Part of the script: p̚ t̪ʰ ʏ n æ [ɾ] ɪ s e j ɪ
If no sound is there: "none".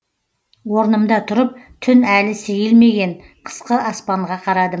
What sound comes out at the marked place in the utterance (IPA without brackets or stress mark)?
l